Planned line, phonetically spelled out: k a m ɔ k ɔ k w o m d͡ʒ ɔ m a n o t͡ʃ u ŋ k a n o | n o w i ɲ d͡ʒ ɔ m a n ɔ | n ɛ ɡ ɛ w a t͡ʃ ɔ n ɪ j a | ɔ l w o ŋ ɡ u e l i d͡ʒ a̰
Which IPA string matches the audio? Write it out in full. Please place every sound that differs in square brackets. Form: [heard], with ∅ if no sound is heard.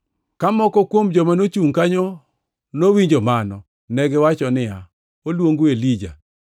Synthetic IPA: k a m ɔ k ɔ k w o m d͡ʒ ɔ m a n o t͡ʃ u ŋ k a [ɲ] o | n o w i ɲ d͡ʒ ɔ m a n ɔ | n ɛ ɡ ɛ w a t͡ʃ ɔ n ɪ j a | [o] l w o ŋ ɡ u e l i d͡ʒ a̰